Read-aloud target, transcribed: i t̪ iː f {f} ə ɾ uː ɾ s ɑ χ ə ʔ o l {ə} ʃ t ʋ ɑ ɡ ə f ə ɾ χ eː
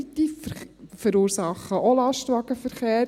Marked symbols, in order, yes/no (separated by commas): yes, no